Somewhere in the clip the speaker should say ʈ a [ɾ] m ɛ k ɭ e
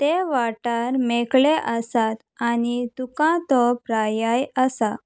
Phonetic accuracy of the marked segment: correct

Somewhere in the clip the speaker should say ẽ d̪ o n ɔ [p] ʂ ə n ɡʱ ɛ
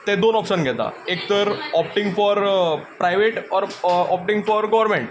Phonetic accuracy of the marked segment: correct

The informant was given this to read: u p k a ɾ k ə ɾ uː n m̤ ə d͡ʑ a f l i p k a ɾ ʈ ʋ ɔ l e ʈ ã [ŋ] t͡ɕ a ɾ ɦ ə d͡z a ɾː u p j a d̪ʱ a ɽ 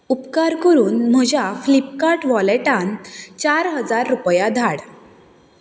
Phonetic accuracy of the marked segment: incorrect: n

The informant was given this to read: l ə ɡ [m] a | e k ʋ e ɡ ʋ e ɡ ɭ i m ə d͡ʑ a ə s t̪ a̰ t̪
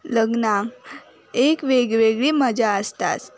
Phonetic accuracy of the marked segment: incorrect: n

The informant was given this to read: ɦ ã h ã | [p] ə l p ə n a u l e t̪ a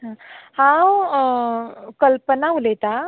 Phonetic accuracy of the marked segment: incorrect: k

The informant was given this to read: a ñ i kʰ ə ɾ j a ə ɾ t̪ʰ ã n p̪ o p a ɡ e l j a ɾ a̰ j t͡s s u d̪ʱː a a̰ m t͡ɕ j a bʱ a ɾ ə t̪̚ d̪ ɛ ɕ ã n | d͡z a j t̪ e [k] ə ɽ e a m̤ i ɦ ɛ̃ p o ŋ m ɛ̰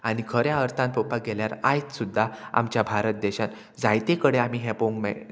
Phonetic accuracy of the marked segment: correct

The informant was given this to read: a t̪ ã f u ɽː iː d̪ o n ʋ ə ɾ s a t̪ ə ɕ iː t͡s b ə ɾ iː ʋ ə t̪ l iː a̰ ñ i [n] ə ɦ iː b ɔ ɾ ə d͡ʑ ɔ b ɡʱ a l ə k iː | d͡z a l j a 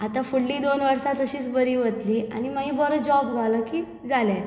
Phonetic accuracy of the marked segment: incorrect: m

